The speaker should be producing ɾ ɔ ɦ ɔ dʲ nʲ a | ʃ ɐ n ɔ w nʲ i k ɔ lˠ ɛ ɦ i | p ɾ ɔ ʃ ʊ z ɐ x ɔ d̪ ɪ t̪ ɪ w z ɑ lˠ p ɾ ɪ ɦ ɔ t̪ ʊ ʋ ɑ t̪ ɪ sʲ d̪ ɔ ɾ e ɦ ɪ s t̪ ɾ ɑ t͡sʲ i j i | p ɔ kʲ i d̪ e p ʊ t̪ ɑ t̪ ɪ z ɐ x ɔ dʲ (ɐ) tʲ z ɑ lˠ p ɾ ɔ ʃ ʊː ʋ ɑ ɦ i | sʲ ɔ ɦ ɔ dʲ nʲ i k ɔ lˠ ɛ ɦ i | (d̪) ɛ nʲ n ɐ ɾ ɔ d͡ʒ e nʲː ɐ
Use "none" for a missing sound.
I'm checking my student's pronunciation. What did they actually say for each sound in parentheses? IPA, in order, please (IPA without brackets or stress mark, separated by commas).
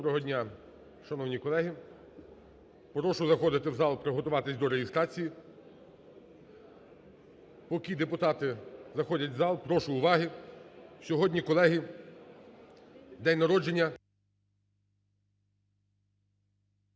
ɐ, d̪